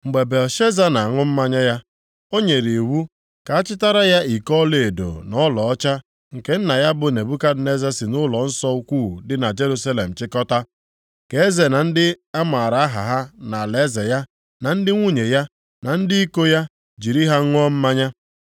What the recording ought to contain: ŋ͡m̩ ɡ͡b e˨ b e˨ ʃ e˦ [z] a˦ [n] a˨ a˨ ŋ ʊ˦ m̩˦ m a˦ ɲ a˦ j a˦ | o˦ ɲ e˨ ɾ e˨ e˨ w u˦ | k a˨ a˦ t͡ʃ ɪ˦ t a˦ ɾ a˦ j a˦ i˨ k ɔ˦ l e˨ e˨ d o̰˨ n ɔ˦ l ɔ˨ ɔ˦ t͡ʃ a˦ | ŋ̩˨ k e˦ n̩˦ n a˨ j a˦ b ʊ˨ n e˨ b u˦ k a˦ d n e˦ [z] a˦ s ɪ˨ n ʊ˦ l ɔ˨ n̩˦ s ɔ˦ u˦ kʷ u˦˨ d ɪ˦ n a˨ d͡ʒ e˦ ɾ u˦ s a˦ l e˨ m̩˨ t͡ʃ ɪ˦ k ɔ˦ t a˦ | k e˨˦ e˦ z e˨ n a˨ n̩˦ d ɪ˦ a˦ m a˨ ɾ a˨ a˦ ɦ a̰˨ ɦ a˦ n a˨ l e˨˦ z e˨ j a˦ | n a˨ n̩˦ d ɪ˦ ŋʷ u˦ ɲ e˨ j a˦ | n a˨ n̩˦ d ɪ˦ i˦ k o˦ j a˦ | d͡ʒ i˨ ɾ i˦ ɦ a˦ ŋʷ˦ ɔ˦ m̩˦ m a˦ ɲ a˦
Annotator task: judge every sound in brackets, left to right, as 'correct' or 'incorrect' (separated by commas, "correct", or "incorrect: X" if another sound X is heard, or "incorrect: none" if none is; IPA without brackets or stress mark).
correct, correct, correct